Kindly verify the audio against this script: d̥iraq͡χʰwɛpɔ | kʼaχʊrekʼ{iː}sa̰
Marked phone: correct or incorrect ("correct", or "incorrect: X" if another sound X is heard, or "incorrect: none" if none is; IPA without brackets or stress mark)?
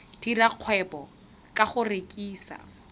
correct